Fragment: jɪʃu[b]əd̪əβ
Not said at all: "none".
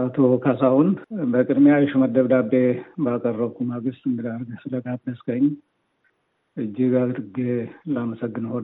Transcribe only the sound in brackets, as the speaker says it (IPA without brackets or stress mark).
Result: m